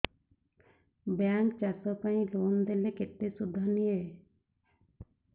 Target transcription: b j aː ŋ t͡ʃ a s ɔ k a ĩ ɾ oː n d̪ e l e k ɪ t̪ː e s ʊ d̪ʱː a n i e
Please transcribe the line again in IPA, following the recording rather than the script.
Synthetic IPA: b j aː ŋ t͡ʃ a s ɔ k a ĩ l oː n d̪ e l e k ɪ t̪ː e s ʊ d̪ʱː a n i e